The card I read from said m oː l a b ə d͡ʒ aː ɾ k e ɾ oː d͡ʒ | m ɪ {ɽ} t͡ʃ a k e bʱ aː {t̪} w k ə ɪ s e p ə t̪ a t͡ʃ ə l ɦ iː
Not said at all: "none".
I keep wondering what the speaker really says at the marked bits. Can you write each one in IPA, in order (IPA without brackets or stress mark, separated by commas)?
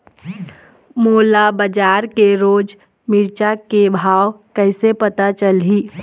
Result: ɾ, none